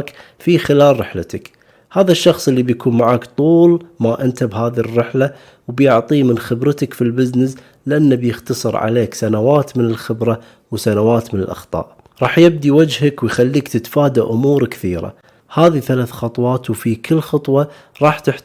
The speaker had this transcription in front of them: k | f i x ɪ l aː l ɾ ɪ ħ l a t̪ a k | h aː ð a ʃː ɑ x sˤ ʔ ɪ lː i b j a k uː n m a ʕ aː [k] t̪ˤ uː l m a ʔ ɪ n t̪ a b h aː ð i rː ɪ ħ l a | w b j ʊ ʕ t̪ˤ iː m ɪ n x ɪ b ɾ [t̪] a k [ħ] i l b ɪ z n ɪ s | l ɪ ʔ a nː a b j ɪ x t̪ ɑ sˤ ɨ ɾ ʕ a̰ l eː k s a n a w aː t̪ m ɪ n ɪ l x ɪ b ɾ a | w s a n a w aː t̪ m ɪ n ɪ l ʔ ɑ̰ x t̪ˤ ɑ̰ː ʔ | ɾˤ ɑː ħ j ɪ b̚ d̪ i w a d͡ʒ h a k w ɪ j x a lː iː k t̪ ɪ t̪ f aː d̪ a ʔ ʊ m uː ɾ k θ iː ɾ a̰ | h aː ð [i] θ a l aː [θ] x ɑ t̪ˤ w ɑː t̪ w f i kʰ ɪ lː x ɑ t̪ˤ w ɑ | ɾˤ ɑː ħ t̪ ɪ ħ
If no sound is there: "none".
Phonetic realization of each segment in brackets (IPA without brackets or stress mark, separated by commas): k, t̪, f, i, θ